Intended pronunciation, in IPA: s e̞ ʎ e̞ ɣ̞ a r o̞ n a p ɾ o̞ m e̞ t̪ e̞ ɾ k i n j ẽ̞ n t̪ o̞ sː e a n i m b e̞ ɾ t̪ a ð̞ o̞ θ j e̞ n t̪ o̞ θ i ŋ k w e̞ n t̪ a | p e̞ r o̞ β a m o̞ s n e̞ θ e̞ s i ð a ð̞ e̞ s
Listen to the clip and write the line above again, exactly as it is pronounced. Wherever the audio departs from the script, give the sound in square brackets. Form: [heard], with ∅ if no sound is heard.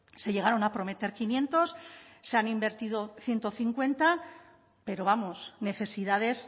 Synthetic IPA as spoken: s e̞ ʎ e̞ ɣ̞ a [ɾ] o̞ n a p ɾ o̞ m e̞ t̪ e̞ ɾ k i n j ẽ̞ n t̪ o̞ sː e a n i m b e̞ ɾ t̪ [i] ð̞ o̞ θ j e̞ n t̪ o̞ θ i ŋ k w e̞ n t̪ a | p e̞ [ɾ] o̞ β a m o̞ s n e̞ θ e̞ s i ð a ð̞ e̞ s